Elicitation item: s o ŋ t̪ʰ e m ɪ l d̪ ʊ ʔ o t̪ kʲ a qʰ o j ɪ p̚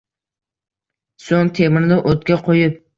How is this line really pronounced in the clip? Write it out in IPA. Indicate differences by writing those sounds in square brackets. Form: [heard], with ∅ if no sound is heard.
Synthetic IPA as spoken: s o ŋ t̪ʰ e m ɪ [ɾ] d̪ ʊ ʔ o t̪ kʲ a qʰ o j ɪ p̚